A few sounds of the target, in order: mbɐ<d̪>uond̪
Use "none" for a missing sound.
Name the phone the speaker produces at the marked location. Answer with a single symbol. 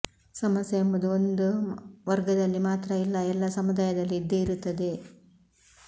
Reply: d̪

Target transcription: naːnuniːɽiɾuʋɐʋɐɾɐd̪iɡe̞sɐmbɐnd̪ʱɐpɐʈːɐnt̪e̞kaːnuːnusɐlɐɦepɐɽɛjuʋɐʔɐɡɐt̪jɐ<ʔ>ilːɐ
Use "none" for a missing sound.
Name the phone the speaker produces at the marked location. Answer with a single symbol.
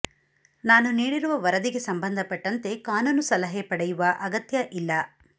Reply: ʔ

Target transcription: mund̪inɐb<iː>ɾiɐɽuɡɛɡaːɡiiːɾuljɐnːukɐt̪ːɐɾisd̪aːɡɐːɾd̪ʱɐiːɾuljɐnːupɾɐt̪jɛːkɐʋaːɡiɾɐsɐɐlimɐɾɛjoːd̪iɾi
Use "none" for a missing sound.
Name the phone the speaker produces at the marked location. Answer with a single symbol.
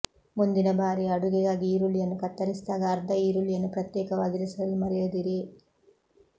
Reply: aː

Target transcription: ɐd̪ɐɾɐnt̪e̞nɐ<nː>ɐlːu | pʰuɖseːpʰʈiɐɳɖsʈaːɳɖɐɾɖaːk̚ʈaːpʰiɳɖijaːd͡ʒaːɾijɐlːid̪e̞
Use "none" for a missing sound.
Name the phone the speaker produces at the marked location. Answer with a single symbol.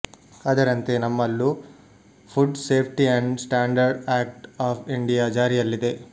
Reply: mː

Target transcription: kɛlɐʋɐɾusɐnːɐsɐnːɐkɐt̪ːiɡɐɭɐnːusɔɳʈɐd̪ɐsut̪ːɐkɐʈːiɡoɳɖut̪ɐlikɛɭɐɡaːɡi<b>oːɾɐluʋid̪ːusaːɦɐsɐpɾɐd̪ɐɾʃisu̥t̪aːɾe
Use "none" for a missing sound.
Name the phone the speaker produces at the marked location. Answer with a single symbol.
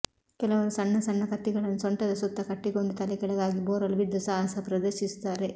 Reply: b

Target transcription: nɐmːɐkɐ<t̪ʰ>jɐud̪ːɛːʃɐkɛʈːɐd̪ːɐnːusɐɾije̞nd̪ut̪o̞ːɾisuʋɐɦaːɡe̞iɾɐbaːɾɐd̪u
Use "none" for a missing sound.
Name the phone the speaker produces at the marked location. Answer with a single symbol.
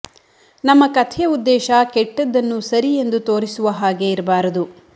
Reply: t̪ʰ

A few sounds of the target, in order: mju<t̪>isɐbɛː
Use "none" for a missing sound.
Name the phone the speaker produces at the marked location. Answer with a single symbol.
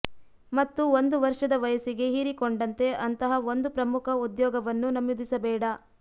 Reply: d̪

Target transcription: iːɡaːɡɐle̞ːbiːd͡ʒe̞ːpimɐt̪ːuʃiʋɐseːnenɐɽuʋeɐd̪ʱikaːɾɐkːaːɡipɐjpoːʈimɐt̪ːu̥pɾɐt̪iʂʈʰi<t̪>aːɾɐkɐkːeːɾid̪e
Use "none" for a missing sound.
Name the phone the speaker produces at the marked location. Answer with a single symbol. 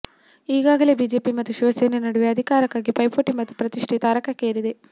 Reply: t̪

